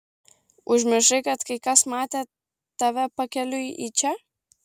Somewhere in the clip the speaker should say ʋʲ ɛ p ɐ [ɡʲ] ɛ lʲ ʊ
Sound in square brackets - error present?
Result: yes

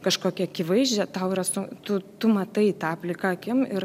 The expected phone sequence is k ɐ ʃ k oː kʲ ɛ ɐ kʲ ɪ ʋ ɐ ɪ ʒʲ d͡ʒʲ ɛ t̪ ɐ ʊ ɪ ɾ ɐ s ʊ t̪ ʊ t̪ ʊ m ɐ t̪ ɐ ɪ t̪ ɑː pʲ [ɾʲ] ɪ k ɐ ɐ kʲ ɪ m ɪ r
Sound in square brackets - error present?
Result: yes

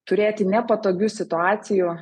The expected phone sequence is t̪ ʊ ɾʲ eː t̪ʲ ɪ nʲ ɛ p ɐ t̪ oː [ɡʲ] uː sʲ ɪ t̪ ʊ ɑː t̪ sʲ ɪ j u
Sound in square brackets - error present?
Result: no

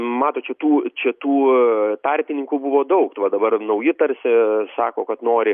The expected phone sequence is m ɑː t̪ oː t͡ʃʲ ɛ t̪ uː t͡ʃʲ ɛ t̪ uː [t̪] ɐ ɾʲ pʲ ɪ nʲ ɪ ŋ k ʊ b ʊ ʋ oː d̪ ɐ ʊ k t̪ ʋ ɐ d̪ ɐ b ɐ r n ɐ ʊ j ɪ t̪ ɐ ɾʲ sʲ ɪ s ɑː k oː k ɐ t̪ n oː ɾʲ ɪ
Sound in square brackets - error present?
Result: no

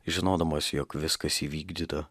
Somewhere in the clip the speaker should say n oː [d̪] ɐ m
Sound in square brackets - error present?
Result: no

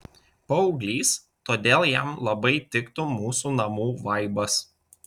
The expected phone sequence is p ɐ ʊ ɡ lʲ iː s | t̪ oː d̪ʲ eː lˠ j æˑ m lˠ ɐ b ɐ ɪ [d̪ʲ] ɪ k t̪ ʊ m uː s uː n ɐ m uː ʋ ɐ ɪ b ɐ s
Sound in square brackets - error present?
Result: yes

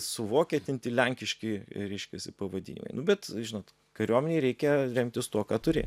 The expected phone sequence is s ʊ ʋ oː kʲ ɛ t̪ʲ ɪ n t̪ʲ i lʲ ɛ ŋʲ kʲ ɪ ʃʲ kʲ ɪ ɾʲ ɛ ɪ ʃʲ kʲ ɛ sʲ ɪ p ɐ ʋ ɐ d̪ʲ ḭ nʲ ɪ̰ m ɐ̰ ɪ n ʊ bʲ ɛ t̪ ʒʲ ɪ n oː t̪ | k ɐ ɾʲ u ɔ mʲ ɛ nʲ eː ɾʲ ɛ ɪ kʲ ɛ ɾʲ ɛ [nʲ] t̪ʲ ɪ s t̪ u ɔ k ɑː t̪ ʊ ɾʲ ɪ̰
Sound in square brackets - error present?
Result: yes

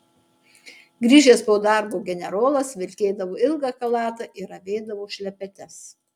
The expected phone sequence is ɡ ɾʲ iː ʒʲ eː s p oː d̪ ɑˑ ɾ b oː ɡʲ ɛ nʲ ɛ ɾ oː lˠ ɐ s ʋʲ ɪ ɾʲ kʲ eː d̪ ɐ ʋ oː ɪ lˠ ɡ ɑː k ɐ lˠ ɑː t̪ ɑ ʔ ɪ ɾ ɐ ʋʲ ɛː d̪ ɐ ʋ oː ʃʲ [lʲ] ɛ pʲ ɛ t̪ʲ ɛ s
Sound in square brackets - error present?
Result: no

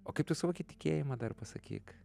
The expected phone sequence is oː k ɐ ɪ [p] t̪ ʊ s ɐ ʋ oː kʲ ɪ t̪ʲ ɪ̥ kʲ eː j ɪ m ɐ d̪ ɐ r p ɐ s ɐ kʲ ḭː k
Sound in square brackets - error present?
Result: no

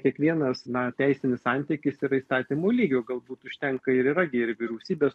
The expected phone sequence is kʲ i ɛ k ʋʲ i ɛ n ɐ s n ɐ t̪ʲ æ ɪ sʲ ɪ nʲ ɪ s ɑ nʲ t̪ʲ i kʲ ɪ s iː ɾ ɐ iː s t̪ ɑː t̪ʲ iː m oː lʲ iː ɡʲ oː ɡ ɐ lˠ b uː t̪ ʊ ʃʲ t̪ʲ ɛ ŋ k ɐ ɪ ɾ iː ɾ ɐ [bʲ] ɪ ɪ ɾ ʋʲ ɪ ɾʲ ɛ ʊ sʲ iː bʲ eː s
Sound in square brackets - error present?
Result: yes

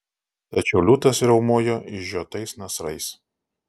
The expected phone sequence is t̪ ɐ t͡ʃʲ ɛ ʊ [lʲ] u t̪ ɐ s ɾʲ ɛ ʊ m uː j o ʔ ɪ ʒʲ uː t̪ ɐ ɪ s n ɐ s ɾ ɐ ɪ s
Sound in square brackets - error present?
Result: no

